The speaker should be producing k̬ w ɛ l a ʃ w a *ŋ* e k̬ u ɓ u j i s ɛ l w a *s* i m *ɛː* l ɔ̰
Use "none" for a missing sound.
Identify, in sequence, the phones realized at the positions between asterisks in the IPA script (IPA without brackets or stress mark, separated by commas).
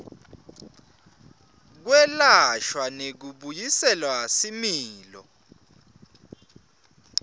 n, s, iː